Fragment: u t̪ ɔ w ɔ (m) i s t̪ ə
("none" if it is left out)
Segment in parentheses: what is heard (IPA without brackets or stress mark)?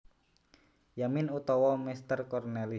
m